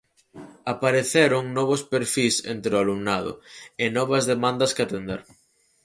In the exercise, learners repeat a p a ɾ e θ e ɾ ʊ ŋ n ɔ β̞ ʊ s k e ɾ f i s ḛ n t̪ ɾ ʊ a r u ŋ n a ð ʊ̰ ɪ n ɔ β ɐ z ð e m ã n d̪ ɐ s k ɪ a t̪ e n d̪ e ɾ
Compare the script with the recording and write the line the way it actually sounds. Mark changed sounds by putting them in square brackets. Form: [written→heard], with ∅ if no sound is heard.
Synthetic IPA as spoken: a p a ɾ e θ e ɾ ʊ ŋ n ɔ β̞ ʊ s [k→p] e ɾ f i s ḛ n t̪ ɾ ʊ a [r→l] u [ŋ→m] n a ð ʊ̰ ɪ n ɔ β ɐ z ð e m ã n d̪ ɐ s k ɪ a t̪ e n d̪ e ɾ